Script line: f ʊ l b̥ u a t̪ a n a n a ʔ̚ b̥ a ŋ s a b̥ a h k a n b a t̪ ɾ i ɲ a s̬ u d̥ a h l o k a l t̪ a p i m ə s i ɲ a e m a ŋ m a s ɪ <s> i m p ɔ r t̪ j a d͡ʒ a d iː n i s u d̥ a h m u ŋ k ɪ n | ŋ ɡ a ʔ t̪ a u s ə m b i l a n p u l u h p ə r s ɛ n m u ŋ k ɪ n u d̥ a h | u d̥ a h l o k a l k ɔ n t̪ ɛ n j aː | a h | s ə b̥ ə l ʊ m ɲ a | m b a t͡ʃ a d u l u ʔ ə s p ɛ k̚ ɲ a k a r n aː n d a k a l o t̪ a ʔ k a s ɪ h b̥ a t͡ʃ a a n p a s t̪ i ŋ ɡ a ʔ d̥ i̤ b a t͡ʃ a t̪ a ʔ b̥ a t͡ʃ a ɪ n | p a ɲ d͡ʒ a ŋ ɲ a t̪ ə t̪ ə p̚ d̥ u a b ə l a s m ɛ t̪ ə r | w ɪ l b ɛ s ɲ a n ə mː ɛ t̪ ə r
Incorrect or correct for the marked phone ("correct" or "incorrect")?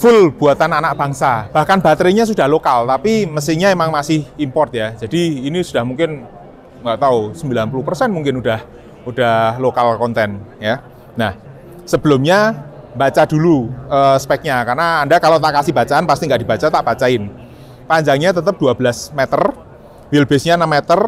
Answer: incorrect